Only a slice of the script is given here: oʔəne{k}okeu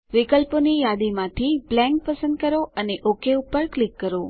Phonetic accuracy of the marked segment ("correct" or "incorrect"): incorrect